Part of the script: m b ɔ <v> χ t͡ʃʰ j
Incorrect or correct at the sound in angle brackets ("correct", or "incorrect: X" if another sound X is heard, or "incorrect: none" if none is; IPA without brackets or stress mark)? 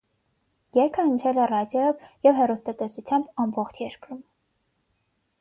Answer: incorrect: none